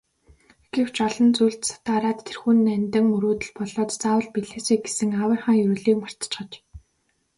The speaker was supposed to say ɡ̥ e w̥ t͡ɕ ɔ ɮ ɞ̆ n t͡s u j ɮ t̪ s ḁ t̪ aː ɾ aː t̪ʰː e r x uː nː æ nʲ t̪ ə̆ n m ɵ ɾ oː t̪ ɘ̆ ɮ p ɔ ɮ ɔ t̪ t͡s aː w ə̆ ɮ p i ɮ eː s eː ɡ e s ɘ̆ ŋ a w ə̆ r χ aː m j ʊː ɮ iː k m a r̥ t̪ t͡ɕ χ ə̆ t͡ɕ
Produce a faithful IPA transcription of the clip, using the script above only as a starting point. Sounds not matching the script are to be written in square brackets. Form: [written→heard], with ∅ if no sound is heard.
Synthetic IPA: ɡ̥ e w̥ t͡ɕ ɔ ɮ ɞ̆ n t͡s u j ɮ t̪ s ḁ t̪ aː ɾ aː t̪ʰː e r x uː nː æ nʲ t̪ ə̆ [n→ŋ] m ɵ ɾ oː t̪ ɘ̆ ɮ p ɔ ɮ [ɔ→ɔː] t̪ t͡s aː w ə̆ ɮ p i ɮ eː s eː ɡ e s ɘ̆ ŋ a w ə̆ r χ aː [m→ŋ] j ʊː ɮ iː k m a r̥ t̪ t͡ɕ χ ə̆ t͡ɕ